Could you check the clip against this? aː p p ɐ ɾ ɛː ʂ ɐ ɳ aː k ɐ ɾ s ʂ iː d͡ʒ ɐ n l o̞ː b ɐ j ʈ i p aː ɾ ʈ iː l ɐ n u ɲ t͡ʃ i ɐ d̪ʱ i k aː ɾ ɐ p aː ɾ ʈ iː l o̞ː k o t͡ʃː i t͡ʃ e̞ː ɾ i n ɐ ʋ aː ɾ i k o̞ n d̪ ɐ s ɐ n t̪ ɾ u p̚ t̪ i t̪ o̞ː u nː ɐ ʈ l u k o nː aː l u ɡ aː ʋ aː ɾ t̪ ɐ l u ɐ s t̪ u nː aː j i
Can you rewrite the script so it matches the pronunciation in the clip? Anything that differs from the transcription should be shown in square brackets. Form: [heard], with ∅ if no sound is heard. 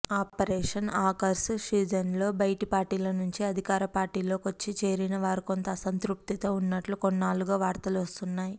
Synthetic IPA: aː p p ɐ ɾ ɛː ʂ ɐ [n] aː k ɐ ɾ s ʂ iː d͡ʒ ɐ n l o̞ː b ɐ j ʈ i p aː ɾ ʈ iː l ɐ n u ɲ t͡ʃ i ɐ d̪ʱ i k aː ɾ ɐ p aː ɾ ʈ iː l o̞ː k o t͡ʃː i t͡ʃ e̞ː ɾ i n ɐ ʋ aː ɾ i k o̞ n [t̪] ɐ s ɐ n t̪ ɾ u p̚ t̪ i t̪ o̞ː u nː ɐ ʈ l u k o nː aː l u ɡ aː ʋ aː ɾ t̪ ɐ l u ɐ s t̪ u nː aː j i